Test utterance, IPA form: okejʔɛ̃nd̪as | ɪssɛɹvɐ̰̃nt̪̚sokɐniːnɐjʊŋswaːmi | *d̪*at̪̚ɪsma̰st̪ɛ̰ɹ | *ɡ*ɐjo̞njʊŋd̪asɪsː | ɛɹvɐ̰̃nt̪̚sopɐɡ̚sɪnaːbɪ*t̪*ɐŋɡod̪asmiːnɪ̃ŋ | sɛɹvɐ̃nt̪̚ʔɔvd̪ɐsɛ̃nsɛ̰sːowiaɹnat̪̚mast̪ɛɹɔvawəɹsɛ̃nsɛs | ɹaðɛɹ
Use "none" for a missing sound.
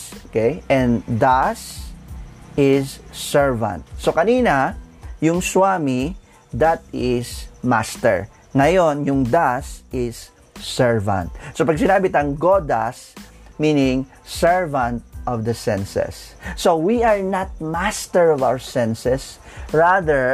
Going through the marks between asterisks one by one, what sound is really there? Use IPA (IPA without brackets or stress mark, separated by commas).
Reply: d̪, ŋ, t̪